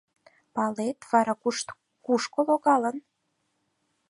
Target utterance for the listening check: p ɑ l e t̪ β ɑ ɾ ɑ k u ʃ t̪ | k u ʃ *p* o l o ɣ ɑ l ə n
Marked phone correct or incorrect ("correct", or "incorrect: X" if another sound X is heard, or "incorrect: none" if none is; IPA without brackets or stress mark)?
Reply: incorrect: k